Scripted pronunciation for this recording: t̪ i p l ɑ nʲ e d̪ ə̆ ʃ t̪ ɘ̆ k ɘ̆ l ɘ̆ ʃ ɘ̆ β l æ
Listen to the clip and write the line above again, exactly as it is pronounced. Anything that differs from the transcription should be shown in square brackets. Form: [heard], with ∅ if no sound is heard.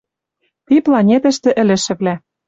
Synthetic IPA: t̪ i p l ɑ nʲ e [t̪] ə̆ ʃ t̪ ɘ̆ [ʔ] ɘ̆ l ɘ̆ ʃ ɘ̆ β l æ